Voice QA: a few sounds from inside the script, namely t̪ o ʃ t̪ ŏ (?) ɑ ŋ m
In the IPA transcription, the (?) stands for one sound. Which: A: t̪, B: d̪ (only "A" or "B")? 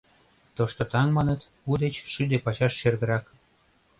A